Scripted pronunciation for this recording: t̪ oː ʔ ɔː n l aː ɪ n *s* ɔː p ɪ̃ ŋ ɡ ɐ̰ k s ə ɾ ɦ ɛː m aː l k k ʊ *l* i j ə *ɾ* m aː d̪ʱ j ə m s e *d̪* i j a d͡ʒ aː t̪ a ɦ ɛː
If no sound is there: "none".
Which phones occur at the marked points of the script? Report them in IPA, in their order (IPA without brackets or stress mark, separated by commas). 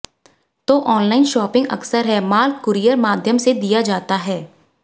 ʃ, ɾ, ɾ, d̪